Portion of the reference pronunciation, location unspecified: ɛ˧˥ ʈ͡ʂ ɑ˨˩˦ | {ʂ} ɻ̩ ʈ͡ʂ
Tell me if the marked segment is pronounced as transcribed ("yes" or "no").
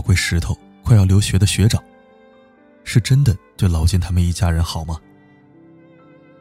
yes